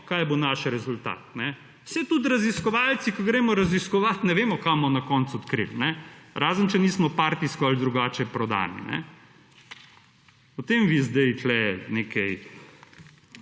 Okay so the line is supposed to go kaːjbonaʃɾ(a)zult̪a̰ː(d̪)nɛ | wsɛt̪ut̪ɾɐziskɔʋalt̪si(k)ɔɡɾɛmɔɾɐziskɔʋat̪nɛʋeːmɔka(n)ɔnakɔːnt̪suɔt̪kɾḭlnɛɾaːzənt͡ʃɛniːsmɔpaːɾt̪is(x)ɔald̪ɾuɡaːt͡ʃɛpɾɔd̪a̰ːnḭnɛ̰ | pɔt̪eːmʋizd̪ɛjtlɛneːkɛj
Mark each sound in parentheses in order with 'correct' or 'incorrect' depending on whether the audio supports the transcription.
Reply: incorrect, incorrect, correct, incorrect, incorrect

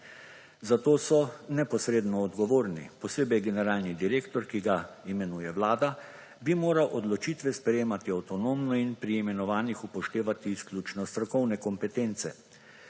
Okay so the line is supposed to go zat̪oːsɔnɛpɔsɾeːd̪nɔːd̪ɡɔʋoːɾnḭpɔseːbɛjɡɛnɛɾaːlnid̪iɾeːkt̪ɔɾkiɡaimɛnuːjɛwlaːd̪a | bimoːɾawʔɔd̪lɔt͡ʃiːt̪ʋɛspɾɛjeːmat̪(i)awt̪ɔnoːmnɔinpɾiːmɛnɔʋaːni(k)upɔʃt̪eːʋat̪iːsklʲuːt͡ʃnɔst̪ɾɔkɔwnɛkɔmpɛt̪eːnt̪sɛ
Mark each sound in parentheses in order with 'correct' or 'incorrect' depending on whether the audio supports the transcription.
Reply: correct, incorrect

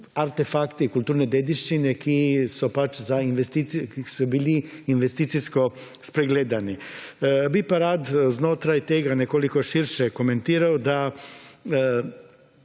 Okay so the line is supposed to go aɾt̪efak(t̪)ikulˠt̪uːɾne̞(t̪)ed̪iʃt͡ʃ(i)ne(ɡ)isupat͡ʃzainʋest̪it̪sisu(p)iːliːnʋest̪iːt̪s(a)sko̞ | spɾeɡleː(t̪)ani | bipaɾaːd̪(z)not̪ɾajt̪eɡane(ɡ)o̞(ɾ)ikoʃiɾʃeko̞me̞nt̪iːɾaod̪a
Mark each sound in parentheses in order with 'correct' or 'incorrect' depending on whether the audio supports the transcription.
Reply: correct, incorrect, correct, incorrect, incorrect, incorrect, incorrect, correct, incorrect, incorrect

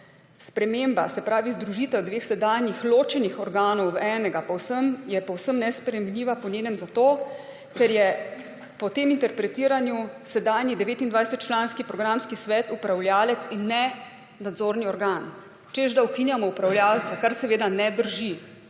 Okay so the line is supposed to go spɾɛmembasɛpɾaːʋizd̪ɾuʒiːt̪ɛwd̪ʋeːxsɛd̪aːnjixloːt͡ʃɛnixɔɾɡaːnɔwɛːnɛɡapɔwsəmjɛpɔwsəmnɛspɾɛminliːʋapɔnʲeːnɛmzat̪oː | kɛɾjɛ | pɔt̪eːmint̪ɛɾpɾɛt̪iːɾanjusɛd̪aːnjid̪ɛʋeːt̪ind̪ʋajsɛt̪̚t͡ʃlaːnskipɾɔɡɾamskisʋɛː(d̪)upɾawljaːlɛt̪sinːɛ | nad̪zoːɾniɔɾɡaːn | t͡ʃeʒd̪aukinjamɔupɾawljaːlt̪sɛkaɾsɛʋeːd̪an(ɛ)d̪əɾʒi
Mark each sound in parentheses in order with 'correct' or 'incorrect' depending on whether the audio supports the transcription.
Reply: incorrect, correct

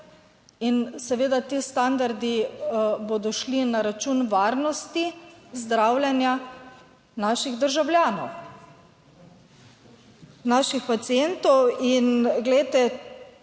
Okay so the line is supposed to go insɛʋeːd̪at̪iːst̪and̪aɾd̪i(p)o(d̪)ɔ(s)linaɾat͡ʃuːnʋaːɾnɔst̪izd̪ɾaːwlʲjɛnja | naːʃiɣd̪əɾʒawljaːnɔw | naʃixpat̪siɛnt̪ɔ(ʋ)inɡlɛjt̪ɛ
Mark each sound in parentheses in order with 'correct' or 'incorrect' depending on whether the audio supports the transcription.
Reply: incorrect, correct, incorrect, incorrect

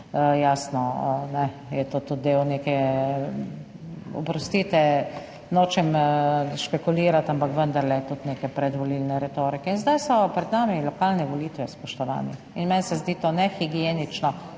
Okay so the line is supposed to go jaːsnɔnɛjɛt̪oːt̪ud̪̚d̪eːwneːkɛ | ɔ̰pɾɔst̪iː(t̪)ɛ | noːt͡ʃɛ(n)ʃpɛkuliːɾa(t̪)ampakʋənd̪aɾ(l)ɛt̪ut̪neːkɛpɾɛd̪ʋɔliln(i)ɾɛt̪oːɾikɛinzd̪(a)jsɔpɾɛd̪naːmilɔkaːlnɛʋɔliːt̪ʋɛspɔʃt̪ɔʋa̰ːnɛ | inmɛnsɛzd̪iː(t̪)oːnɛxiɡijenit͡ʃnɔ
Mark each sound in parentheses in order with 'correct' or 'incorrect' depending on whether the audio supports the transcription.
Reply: correct, incorrect, correct, correct, incorrect, correct, correct

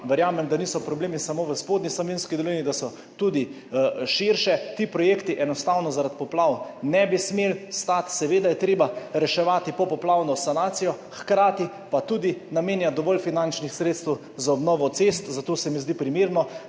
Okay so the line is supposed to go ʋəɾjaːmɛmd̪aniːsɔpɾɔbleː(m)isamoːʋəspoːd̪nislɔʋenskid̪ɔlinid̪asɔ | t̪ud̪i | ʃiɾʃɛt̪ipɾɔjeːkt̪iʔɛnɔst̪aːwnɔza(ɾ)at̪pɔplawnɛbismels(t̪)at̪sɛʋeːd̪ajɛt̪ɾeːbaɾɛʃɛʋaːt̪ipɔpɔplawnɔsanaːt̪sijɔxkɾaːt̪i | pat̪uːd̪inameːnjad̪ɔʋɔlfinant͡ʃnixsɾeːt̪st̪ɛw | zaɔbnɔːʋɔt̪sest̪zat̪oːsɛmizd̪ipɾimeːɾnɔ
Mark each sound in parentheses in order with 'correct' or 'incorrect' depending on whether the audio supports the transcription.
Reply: correct, correct, correct

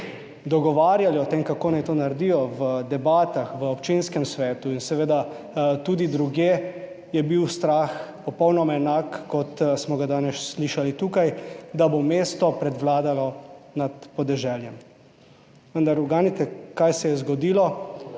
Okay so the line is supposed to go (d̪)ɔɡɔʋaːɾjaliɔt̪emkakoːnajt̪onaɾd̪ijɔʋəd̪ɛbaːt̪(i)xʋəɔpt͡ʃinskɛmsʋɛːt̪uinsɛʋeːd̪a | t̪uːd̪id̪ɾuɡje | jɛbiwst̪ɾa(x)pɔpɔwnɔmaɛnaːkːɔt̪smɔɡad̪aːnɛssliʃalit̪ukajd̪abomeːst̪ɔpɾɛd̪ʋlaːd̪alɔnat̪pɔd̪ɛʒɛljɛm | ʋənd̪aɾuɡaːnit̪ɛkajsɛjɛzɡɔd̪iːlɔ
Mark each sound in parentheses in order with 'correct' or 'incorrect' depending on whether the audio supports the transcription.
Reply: correct, incorrect, correct

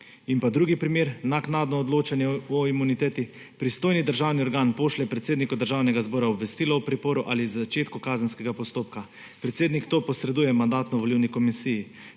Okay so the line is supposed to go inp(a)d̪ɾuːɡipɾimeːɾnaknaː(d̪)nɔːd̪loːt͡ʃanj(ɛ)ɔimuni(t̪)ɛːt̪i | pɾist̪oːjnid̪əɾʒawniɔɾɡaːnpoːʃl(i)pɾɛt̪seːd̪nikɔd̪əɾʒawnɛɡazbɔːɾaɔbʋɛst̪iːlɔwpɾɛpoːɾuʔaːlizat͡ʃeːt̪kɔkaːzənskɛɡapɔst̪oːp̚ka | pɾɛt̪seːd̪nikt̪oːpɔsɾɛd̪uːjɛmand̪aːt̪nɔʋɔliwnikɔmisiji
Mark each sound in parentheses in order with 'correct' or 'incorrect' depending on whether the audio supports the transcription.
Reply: correct, correct, correct, correct, incorrect

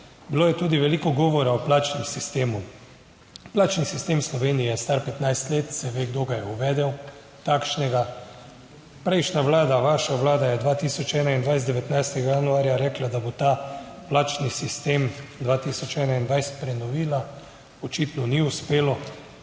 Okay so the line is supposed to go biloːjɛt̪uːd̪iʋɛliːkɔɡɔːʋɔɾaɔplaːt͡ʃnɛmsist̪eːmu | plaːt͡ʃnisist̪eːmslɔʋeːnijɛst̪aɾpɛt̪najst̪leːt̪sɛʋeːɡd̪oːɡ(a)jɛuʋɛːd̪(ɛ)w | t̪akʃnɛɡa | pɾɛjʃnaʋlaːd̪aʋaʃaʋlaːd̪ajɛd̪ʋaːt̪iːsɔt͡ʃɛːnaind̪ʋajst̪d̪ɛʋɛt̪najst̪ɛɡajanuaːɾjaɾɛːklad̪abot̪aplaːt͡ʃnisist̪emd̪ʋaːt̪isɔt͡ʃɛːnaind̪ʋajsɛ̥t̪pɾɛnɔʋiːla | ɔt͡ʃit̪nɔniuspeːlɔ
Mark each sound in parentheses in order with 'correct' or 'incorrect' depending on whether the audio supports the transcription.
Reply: correct, correct

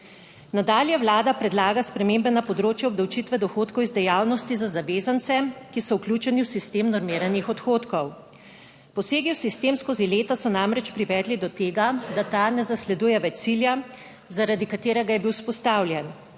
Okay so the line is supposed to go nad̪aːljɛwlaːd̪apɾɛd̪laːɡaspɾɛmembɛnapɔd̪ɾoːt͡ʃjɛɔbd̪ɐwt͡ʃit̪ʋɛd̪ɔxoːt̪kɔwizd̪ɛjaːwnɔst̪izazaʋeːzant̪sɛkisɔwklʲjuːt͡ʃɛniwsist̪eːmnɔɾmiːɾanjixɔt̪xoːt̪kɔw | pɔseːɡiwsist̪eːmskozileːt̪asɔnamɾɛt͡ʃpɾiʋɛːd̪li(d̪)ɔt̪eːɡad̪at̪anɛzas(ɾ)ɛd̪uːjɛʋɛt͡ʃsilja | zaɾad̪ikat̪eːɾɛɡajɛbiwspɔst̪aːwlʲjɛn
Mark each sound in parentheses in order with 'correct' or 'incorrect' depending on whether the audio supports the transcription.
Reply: correct, incorrect

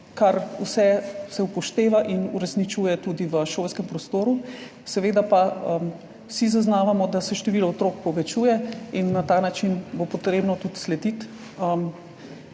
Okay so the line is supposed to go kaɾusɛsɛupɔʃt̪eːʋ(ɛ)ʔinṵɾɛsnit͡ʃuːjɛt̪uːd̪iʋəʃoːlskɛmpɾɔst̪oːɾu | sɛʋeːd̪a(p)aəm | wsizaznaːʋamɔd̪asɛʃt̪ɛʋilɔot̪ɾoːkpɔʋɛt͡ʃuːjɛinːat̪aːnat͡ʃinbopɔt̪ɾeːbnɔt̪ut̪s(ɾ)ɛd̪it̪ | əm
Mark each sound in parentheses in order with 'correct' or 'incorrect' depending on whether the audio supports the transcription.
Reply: incorrect, correct, incorrect

